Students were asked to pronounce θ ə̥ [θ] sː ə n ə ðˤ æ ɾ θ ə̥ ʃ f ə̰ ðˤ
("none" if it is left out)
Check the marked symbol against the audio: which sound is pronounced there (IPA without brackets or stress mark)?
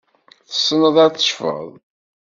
none